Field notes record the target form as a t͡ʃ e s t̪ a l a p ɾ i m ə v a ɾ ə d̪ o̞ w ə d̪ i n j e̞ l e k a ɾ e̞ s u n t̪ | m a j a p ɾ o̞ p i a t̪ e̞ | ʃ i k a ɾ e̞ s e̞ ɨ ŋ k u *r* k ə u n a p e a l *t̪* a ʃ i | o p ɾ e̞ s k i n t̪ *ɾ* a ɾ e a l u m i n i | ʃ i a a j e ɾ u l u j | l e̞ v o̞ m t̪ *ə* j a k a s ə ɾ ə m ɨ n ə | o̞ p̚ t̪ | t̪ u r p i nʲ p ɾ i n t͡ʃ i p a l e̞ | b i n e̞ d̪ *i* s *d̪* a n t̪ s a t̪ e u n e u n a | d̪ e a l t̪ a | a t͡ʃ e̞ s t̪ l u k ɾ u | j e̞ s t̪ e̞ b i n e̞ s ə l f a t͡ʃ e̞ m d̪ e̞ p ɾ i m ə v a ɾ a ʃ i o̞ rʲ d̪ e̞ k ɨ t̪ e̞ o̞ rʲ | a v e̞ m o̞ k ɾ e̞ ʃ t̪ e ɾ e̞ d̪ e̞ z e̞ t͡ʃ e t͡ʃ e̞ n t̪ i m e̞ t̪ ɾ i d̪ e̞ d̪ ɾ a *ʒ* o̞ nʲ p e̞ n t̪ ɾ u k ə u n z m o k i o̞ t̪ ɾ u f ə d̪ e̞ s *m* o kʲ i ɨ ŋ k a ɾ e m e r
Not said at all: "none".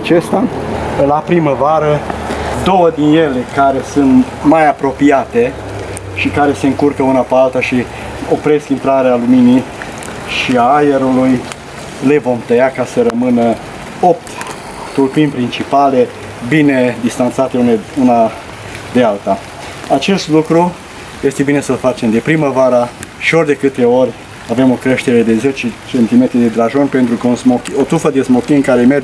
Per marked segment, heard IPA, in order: r, t̪, ɾ, ə, i, t̪, ʒ, m

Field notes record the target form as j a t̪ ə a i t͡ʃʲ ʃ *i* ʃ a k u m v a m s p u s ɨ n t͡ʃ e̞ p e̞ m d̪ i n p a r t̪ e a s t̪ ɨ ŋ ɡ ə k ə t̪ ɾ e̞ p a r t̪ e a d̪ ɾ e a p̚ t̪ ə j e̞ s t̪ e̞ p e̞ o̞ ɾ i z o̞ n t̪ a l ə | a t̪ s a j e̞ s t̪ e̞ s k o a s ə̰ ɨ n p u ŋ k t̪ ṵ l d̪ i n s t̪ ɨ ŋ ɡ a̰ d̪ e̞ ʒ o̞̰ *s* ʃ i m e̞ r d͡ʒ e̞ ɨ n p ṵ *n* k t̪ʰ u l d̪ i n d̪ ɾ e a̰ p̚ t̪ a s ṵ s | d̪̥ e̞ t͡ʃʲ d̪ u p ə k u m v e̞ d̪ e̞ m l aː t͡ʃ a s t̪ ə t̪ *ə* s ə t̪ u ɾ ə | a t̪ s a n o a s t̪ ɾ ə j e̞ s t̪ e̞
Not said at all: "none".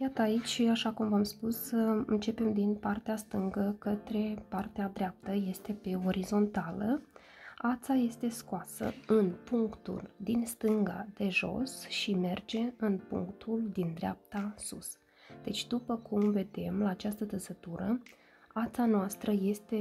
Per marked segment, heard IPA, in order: a, s, ŋ, ə

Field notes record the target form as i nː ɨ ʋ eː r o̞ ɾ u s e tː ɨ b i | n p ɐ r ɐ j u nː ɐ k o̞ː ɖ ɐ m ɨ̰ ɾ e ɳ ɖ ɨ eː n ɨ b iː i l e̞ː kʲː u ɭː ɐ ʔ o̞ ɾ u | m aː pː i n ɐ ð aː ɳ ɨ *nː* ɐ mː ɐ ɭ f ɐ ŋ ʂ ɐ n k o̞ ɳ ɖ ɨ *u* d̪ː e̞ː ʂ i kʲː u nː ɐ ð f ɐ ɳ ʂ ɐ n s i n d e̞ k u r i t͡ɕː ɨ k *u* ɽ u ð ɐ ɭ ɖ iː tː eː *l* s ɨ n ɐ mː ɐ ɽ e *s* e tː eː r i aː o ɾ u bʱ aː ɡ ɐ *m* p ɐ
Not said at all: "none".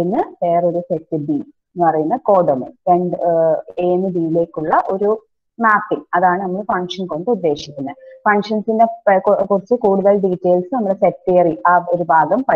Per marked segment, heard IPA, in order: n, u, uː, l, s, m

